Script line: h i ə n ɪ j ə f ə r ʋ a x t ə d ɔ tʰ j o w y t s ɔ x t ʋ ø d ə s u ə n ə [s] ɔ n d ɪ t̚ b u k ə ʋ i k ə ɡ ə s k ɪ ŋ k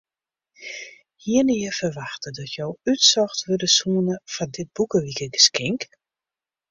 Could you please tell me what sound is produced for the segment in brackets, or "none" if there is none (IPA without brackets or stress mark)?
f